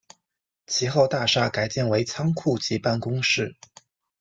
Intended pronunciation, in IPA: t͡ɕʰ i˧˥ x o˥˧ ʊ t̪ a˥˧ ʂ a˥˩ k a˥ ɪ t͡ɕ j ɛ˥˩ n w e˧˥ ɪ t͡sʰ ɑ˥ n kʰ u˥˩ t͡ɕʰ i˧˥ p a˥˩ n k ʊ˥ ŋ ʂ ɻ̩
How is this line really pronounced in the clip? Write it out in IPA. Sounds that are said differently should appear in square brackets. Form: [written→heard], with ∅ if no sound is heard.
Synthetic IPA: t͡ɕʰ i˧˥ x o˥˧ ʊ t̪ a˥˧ ʂ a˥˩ k [a˥→a˨˩] ɪ t͡ɕ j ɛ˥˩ n w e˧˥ ɪ t͡sʰ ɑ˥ [n→ŋ] kʰ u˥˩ [t͡ɕʰ→t͡ɕ] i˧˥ p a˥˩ n k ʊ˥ ŋ ʂ ɻ̩